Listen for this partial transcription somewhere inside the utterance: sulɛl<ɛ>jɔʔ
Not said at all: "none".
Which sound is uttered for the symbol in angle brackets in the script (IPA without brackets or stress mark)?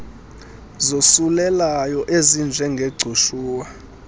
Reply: a